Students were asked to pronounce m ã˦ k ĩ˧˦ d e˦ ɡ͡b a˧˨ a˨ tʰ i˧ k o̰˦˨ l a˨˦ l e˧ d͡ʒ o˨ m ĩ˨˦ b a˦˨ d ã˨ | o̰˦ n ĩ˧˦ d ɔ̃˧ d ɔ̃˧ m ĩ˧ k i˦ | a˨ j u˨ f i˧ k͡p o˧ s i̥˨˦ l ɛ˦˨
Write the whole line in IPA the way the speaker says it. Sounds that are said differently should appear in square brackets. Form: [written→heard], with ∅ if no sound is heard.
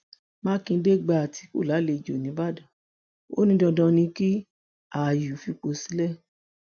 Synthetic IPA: m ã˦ k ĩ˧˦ d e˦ ɡ͡b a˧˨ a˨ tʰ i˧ k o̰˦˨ l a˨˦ l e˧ d͡ʒ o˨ [m→n] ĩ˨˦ b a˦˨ d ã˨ | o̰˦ n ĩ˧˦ d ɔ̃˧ d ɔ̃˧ [m→n] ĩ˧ k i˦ | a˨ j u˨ f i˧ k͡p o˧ s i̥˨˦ l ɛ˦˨